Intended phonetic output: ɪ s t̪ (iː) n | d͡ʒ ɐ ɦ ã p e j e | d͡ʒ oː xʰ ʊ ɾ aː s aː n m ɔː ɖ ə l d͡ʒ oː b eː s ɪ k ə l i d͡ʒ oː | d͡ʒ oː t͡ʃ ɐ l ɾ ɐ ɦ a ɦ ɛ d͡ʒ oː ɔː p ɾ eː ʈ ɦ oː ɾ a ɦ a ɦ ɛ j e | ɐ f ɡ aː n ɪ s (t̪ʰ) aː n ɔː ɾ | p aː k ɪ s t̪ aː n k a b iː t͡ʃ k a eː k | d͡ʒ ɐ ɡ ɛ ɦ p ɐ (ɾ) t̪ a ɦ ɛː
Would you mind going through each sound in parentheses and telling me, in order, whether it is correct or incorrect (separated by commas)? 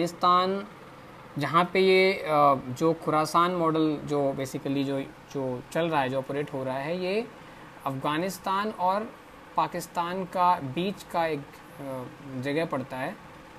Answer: incorrect, incorrect, incorrect